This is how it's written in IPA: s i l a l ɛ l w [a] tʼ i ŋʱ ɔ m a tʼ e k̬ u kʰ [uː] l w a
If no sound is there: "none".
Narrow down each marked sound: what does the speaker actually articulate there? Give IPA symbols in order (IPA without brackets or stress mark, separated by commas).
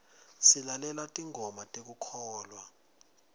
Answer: a, ɔː